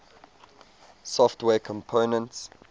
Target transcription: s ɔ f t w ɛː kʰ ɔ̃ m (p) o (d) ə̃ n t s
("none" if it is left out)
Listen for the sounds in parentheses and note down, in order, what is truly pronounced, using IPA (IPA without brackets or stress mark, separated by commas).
pʰ, n